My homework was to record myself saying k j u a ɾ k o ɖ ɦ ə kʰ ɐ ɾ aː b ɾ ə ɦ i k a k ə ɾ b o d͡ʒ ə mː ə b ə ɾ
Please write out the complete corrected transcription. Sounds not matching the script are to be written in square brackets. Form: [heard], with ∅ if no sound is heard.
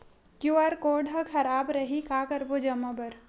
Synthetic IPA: k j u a ɾ k o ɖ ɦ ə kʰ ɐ ɾ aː b ɾ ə ɦ i k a k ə ɾ b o d͡ʒ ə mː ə b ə ɾ